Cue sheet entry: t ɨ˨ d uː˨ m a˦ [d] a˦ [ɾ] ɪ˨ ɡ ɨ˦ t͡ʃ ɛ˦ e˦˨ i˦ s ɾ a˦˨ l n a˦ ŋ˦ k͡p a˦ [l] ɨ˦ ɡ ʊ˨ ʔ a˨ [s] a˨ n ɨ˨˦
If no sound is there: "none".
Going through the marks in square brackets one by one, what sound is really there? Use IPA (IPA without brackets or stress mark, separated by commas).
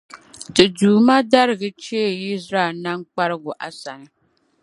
d, ɾ, ɾ, s